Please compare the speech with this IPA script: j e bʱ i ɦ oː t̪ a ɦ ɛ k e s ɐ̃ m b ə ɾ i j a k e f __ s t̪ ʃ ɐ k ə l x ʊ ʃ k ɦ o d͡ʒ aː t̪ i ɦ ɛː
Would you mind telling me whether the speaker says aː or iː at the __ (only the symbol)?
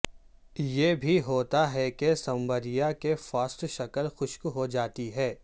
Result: aː